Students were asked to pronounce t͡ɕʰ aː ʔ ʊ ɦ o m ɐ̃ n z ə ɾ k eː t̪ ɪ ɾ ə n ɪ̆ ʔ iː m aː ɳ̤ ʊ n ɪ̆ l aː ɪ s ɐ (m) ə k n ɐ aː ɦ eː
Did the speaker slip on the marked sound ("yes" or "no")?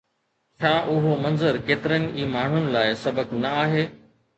yes